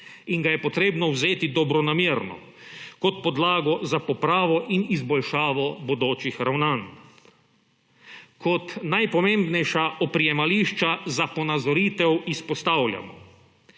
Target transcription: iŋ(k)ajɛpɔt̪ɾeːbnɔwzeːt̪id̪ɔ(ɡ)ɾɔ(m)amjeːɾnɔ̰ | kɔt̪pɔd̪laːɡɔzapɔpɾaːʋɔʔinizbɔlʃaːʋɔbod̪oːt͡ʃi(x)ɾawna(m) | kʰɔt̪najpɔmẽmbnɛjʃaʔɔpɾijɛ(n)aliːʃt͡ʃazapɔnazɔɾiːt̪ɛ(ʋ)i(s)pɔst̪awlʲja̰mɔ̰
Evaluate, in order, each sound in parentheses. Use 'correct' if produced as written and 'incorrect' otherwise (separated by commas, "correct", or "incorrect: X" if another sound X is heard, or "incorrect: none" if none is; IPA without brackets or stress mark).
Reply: incorrect: ɡ, incorrect: b, incorrect: n, correct, incorrect: n, incorrect: m, incorrect: w, correct